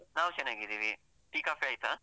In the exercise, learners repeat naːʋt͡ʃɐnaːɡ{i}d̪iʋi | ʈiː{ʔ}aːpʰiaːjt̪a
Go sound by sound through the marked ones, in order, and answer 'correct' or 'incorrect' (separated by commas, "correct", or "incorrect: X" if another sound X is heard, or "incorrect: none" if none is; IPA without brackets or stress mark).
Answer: correct, incorrect: k